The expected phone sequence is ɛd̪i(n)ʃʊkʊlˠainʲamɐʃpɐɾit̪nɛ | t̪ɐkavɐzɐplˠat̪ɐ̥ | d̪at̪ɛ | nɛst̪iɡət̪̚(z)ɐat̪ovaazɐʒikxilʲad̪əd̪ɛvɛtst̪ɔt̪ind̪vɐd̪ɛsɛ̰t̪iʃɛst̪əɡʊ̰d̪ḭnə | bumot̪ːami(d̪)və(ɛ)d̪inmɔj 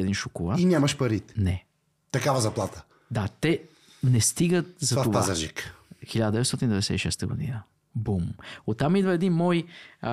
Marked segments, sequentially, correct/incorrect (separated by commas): correct, correct, correct, correct